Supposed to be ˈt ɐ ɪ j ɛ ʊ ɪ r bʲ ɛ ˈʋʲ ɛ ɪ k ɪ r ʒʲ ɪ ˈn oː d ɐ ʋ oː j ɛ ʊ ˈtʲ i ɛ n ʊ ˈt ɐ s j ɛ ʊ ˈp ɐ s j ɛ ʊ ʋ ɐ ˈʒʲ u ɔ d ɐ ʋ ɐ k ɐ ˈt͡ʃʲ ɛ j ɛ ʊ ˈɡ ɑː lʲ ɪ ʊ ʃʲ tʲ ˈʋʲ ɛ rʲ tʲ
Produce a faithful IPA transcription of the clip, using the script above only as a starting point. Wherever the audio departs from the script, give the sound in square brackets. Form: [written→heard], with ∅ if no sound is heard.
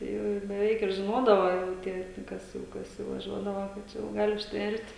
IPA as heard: ˈt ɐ ɪ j ɛ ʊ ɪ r bʲ ɛ ˈʋʲ ɛ ɪ k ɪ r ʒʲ ɪ ˈn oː d ɐ ʋ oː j ɛ ʊ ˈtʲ i ɛ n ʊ [ˈt→ˈk] ɐ s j ɛ ʊ [ˈp→ˈk] ɐ s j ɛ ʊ ʋ ɐ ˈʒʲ u ɔ d ɐ ʋ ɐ k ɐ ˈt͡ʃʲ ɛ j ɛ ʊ ˈɡ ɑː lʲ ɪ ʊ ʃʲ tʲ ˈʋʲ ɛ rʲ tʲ

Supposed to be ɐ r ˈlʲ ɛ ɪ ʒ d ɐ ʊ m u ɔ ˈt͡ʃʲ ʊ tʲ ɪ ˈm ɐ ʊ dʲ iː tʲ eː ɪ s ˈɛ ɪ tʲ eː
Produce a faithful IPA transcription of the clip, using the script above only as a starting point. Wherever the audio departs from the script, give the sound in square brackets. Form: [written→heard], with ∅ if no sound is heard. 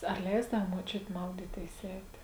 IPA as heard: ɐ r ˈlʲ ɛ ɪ [ʒ→z] d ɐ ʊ m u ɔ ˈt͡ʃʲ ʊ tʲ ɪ ˈm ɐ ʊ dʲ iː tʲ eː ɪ s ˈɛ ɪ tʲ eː

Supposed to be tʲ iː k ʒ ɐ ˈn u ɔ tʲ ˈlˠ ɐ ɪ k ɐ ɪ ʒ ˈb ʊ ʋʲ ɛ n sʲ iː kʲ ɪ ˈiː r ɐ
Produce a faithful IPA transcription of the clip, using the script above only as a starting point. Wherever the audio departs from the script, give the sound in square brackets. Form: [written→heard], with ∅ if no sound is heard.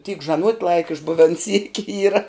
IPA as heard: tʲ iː k ʒ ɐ ˈn u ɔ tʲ ˈlˠ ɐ ɪ k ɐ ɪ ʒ ˈb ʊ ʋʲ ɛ n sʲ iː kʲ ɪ ˈiː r ɐ

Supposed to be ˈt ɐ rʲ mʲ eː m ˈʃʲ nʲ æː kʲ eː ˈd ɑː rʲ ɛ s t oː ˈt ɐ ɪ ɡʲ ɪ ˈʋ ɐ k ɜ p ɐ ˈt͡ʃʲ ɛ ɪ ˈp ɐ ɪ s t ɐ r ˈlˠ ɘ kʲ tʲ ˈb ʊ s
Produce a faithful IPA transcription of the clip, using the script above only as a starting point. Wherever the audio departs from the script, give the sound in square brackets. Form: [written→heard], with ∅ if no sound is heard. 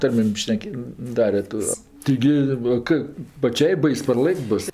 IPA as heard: ˈt ɐ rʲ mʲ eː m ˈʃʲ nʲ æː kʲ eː ˈd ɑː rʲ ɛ [s→∅] t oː ˈt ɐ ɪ ɡʲ ɪ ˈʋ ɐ k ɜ p ɐ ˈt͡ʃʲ ɛ ɪ [ˈp→ˈb] ɐ ɪ s [t→p] ɐ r ˈlˠ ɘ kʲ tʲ ˈb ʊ s

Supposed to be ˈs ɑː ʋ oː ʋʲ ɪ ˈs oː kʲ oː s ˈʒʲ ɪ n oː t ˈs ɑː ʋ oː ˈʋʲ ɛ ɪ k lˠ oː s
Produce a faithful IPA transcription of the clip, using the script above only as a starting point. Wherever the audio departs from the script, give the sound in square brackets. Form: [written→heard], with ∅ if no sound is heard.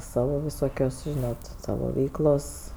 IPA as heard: ˈs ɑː ʋ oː ʋʲ ɪ ˈs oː kʲ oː s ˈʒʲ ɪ n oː t ˈs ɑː ʋ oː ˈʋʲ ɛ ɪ k lˠ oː s

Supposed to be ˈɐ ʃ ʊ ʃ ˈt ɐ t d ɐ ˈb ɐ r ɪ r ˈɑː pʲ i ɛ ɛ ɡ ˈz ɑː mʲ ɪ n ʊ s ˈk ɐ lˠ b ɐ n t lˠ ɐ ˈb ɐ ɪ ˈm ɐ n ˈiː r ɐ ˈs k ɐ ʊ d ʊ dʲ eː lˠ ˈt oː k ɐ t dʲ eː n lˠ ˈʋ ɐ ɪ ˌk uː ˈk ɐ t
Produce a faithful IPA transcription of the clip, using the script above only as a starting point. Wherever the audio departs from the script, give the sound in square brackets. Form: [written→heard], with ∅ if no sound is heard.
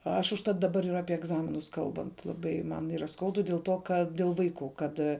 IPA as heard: ˈɐ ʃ ʊ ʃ ˈt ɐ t d ɐ ˈb ɐ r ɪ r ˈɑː pʲ i ɛ ɛ ɡ ˈz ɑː mʲ ɪ n ʊ s ˈk ɐ lˠ b ɐ n t lˠ ɐ ˈb ɐ ɪ ˈm ɐ n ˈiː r ɐ ˈs k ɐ ʊ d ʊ dʲ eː lˠ ˈt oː k ɐ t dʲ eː [n→∅] lˠ ˈʋ ɐ ɪ ˌk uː ˈk ɐ t

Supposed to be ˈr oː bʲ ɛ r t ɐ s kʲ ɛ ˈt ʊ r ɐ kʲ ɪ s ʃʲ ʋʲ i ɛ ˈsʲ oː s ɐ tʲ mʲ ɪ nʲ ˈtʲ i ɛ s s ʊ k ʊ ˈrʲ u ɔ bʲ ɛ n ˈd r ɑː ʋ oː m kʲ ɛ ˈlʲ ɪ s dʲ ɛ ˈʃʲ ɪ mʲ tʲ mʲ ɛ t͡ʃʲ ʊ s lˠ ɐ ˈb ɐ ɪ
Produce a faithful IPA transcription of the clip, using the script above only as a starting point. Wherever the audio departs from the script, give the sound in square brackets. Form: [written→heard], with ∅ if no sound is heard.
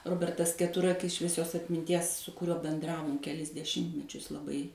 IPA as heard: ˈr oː bʲ ɛ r t ɐ s kʲ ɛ ˈt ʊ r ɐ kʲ ɪ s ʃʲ ʋʲ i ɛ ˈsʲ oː s ɐ tʲ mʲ ɪ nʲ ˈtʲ i ɛ s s ʊ k ʊ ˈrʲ u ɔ bʲ ɛ n ˈd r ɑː ʋ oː m kʲ ɛ ˈlʲ ɪ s dʲ ɛ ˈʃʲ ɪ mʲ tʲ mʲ ɛ t͡ʃʲ ʊ s lˠ ɐ ˈb ɐ ɪ

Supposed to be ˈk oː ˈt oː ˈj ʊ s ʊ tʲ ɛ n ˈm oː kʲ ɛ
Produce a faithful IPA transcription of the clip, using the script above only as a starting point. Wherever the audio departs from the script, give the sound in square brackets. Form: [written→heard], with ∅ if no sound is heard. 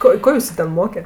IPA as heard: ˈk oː [ˈt→ˈk] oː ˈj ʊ s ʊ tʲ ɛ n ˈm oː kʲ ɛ

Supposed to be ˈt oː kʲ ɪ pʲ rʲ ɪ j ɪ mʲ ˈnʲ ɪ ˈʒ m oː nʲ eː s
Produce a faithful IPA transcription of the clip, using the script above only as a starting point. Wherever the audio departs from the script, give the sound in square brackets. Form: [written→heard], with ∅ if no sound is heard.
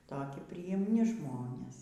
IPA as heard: ˈt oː kʲ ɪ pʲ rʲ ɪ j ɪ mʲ ˈnʲ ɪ ˈʒ m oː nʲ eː s

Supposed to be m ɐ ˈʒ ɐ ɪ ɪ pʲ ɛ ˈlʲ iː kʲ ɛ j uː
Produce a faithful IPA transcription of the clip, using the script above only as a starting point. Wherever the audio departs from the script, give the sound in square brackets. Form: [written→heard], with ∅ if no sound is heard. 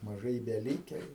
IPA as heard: m ɐ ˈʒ ɐ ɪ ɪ [pʲ→bʲ] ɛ ˈlʲ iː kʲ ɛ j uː

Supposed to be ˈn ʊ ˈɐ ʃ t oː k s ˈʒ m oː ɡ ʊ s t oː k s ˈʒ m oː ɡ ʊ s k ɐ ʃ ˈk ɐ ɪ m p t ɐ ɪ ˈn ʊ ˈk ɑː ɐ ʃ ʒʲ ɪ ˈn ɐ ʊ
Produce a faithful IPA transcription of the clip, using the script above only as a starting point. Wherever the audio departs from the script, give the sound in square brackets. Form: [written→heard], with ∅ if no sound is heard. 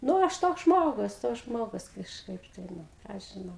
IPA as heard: ˈn ʊ ˈɐ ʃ t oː k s ˈʒ m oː ɡ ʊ s t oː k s ˈʒ m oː ɡ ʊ s k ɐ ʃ ˈk ɐ ɪ [m→∅] p t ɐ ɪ ˈn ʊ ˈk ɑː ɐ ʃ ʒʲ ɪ ˈn ɐ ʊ

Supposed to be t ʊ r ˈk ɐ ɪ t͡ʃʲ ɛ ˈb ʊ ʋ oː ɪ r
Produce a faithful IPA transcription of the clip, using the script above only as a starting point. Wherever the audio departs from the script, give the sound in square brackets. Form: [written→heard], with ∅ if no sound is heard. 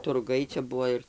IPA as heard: t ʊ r [ˈk→ˈɡ] ɐ ɪ t͡ʃʲ ɛ ˈb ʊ ʋ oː ɪ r

